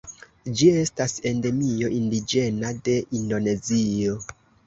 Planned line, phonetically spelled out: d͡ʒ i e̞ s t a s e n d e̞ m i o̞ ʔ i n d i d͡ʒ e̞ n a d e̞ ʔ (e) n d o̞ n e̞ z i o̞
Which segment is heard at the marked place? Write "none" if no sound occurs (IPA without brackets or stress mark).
i